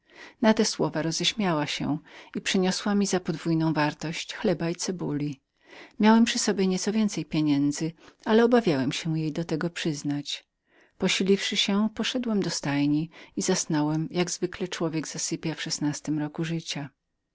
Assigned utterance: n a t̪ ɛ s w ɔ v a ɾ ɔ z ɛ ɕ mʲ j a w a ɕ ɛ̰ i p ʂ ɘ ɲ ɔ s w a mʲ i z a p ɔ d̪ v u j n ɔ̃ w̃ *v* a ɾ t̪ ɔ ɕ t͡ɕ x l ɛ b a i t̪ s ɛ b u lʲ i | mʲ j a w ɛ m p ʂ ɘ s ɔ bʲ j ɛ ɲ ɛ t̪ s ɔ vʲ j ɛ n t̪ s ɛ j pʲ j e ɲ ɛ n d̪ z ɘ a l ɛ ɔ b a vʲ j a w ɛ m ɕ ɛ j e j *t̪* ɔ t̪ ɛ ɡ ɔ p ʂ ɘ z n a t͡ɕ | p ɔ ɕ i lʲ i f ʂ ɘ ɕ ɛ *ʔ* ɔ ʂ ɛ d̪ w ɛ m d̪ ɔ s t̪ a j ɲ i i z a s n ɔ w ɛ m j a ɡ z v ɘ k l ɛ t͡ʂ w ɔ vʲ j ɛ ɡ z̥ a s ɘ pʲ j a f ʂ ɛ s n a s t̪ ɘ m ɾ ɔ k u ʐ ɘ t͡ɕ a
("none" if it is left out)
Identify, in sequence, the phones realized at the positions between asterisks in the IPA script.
v, d̪, p

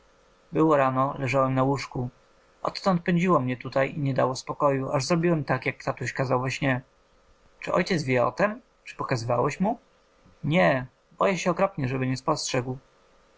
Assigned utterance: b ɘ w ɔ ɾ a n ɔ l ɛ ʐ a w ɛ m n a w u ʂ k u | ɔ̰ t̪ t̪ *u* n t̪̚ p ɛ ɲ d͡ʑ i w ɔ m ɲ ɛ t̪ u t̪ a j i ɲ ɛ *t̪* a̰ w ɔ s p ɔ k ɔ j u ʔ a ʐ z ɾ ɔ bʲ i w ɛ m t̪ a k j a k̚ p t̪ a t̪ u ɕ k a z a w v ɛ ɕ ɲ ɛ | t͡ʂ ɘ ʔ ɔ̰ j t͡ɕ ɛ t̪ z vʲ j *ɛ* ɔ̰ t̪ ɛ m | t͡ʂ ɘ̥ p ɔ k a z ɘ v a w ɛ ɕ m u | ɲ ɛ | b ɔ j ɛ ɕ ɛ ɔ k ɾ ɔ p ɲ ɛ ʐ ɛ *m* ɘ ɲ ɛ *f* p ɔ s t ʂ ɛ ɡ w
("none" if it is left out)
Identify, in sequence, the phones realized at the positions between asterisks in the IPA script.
ɔ, d̪, ɛ, b, s

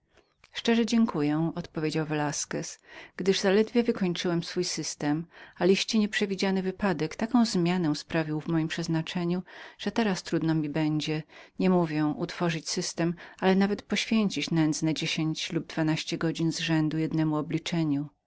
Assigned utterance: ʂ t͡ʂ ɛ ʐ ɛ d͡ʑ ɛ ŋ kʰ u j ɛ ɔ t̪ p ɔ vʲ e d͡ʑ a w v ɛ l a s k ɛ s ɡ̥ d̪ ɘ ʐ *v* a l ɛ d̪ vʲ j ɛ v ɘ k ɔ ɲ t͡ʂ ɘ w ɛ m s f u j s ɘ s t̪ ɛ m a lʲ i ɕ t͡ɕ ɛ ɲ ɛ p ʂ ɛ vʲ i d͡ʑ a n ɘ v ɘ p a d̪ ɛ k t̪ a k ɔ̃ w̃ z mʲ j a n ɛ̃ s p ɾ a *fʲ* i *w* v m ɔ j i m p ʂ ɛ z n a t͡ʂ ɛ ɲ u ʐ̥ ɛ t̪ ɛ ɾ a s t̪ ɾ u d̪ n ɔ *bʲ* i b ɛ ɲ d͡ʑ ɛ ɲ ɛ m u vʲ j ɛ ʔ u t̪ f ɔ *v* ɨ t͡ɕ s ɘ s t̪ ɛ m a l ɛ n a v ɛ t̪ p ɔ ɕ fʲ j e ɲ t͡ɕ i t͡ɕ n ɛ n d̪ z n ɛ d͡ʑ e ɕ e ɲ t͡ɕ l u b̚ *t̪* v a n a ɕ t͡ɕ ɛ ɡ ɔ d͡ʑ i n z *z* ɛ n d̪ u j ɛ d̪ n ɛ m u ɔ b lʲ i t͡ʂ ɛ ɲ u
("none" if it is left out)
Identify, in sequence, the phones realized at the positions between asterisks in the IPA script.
z, vʲ, w, mʲ, ʐ, d̪, ʐ

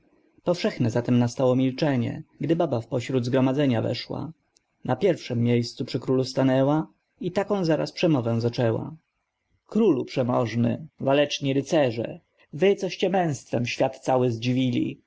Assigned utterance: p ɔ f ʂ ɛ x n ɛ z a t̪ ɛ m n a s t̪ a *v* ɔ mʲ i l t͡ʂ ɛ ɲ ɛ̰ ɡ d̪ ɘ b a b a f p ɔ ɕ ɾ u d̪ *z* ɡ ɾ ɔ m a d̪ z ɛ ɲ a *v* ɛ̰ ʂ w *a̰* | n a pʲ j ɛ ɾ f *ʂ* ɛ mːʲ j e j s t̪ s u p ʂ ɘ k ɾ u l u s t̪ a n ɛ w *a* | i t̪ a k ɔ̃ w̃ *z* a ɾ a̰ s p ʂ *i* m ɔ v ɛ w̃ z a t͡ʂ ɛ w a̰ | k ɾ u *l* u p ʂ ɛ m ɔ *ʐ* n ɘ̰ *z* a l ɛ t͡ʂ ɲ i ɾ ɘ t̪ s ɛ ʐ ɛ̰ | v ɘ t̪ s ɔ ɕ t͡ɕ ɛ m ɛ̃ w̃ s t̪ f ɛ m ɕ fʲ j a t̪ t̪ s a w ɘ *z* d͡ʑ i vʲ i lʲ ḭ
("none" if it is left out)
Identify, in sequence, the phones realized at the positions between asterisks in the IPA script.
w, z, v, a̰, ʂ, a, z, ɛ, l, ʐ, v, z

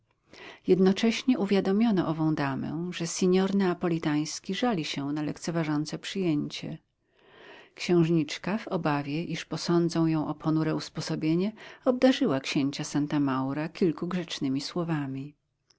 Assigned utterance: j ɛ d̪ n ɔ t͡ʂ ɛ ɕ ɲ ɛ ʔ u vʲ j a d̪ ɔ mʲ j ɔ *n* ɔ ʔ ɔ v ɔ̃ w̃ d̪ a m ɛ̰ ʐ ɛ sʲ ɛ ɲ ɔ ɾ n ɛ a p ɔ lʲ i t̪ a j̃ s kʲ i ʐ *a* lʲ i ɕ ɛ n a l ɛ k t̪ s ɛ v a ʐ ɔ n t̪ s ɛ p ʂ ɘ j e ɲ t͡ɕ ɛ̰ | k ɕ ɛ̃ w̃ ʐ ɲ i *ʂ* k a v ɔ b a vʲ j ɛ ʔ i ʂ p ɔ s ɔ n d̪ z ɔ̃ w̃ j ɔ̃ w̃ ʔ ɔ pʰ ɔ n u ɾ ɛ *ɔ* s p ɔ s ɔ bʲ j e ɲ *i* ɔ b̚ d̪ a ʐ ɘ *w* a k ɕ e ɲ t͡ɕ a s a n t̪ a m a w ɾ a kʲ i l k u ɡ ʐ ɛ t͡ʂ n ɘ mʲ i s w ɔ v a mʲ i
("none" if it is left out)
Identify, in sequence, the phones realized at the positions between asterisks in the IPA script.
n, a, t͡ʂ, u, ɛ, w

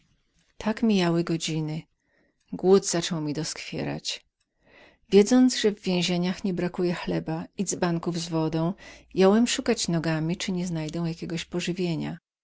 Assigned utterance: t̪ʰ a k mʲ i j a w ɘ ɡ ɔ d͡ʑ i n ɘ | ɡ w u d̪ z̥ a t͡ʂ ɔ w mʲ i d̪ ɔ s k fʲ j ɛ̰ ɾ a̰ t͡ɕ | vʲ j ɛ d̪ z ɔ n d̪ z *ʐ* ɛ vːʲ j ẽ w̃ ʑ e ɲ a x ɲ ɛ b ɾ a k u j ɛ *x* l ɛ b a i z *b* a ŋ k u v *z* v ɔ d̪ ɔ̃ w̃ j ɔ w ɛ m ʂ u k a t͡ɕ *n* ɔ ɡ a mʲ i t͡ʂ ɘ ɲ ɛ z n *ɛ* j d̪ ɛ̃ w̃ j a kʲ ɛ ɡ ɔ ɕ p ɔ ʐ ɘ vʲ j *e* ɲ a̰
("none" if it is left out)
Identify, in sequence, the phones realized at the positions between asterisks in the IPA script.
ʐ, x, b, z, n, a, e

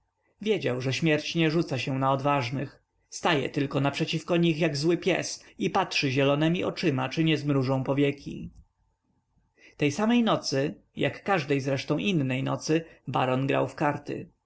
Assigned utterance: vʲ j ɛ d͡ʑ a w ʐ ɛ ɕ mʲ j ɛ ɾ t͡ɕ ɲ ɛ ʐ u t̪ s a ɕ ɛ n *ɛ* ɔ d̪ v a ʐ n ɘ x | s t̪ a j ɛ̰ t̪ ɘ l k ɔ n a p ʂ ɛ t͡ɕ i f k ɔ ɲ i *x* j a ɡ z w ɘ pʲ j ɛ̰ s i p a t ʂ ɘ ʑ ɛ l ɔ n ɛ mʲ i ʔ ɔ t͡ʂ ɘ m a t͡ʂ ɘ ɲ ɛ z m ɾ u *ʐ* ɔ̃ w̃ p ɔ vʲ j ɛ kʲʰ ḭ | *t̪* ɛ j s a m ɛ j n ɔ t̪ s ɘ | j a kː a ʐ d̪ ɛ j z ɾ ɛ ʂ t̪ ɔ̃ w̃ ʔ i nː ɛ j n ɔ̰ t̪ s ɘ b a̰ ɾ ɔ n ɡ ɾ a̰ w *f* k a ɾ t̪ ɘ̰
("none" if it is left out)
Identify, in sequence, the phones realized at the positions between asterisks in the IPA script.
a, x, ʐ, t̪, f

